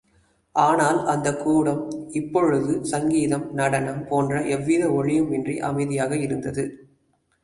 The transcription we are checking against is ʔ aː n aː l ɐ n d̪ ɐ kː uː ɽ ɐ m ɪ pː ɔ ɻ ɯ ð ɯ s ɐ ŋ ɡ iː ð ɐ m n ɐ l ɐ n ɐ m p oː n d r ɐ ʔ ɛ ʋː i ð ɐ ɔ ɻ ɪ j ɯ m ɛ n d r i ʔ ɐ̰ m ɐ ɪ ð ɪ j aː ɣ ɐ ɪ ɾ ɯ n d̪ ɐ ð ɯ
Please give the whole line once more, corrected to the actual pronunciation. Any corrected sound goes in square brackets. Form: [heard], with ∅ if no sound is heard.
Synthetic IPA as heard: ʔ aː n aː l ɐ n d̪ ɐ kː uː ɽ ɐ m ɪ pː ɔ ɻ ɯ ð ɯ s ɐ ŋ ɡ iː ð ɐ m n ɐ [ɽ] ɐ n ɐ m p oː n d r ɐ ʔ ɛ ʋː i ð ɐ ɔ ɻ ɪ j ɯ m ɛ n d r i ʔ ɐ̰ m ɐ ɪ ð ɪ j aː ɣ ɐ ɪ ɾ ɯ n d̪ ɐ ð ɯ